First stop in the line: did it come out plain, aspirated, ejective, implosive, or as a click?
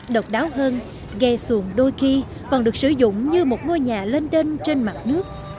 implosive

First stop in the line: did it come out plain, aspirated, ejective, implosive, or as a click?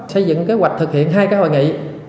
plain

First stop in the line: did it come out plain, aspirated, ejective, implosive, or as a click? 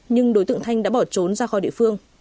implosive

